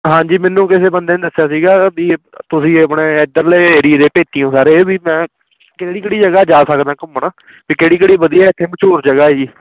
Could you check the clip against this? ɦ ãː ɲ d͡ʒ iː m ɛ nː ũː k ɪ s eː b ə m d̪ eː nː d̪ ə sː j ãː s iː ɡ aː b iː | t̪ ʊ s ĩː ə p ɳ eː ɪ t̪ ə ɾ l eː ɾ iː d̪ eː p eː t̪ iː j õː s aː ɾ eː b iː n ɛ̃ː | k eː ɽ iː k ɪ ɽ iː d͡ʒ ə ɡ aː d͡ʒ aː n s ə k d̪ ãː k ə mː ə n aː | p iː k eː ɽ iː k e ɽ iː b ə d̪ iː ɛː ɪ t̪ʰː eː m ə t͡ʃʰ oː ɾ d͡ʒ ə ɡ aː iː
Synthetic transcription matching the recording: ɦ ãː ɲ d͡ʒ iː m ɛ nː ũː k ɪ s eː b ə n d̪ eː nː d̪ ə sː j aː s iː ɡ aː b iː | t̪ ʊ s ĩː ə p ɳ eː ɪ d̪ ə ɾ l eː ɾ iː d̪ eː p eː t̪ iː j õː s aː ɾ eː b iː m ɛ̃ː | k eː ɽ iː k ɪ ɽ iː d͡ʒ ə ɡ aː d͡ʒ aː s ə k d̪ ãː k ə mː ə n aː | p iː k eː ɽ iː k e ɽ iː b ə d̪ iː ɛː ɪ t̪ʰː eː m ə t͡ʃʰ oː ɾ d͡ʒ ə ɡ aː iː